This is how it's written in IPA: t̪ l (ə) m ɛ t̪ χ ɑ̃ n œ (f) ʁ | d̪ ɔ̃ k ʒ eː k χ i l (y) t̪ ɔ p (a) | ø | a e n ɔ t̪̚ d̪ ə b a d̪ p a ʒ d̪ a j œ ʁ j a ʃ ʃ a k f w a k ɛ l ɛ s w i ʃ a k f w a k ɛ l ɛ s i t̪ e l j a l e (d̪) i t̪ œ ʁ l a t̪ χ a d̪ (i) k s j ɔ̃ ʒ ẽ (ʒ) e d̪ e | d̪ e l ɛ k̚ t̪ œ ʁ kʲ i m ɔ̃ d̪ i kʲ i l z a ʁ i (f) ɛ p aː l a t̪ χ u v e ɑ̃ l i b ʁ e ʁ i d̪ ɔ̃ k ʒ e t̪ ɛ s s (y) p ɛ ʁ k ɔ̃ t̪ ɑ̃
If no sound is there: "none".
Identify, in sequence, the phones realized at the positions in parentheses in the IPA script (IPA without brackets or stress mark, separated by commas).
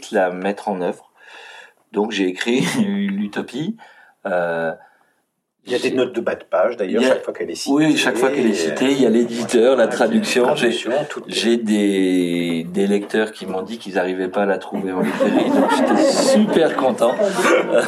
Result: a, v, y, i, d̪, y, ʒ, v, y